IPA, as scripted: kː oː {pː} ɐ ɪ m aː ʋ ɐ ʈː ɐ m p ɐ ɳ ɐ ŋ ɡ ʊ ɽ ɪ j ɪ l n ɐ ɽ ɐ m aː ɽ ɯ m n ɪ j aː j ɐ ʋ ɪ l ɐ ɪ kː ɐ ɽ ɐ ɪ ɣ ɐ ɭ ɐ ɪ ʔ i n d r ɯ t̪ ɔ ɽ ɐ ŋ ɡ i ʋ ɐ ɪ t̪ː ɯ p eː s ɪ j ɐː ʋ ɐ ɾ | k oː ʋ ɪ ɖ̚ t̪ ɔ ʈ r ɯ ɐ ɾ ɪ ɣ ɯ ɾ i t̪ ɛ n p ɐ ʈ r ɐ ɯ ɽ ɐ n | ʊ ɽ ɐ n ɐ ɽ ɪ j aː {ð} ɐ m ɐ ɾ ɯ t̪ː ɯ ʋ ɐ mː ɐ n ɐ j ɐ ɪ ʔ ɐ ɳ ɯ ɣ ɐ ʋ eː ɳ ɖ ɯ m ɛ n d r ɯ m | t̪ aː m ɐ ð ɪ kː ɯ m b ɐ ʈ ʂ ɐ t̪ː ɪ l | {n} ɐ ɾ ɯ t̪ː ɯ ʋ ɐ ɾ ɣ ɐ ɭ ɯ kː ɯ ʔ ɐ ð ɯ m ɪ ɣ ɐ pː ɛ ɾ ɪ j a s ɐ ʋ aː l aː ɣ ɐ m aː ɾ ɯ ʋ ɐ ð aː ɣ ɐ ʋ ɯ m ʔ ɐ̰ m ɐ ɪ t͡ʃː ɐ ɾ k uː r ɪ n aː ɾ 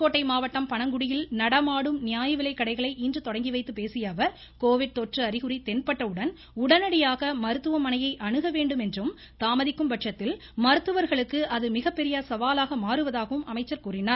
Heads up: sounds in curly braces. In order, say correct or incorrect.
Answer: incorrect, incorrect, incorrect

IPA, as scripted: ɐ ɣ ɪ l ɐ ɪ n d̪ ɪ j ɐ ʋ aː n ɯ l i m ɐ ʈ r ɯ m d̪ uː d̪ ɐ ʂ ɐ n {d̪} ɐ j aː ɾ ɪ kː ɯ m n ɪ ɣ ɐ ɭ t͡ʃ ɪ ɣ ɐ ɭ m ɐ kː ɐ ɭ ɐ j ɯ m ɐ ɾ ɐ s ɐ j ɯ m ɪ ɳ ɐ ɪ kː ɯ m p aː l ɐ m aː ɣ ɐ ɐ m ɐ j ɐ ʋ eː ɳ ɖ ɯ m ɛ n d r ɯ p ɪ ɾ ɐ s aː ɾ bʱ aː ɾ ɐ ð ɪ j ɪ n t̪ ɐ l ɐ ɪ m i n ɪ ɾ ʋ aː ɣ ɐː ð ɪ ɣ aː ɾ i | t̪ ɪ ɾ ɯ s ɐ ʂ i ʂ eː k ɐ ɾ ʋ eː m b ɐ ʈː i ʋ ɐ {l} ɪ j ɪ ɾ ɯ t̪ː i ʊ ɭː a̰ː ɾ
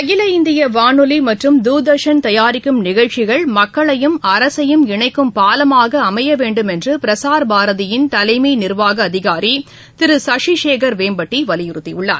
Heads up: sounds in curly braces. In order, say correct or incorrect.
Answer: incorrect, correct

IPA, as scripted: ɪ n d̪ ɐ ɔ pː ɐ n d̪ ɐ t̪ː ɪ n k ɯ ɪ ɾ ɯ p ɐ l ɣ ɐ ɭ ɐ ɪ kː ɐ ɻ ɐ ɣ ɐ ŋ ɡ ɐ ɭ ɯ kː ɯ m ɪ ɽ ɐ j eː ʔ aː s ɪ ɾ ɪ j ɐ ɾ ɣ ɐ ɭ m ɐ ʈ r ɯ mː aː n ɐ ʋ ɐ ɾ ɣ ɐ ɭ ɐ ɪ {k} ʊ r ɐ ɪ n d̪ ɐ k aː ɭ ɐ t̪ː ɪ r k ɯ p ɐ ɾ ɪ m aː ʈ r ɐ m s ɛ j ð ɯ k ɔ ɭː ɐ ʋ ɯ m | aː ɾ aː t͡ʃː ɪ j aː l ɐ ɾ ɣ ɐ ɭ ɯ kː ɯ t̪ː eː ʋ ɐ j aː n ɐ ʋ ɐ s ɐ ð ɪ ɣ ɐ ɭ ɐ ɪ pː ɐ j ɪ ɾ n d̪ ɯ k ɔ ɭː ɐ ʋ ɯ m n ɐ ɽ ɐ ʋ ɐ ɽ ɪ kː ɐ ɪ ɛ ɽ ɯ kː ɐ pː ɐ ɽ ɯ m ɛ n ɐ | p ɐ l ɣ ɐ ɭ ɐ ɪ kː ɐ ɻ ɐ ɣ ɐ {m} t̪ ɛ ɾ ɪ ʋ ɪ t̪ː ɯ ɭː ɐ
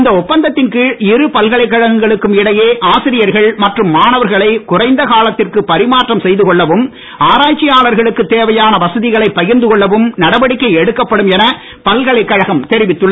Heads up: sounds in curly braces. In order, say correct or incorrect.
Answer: correct, correct

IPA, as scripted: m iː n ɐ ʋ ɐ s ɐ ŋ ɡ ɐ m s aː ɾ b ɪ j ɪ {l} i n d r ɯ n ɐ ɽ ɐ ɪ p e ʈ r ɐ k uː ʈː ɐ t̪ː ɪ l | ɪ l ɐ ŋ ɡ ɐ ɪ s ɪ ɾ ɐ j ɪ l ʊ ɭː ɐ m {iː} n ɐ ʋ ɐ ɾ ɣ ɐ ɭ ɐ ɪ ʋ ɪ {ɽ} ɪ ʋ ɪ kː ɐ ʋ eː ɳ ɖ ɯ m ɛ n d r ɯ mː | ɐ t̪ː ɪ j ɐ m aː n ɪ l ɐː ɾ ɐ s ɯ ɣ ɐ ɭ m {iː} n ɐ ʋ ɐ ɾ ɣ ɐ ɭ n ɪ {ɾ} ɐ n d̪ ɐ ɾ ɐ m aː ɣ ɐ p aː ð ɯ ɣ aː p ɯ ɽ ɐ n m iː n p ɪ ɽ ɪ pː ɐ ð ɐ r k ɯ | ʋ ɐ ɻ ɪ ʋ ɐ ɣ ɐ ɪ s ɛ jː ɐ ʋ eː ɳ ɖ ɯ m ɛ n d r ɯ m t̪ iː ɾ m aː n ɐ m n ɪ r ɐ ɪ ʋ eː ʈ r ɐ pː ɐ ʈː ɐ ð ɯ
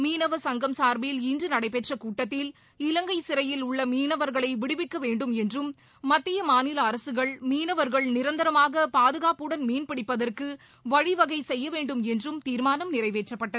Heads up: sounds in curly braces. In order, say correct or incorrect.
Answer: correct, correct, correct, correct, correct

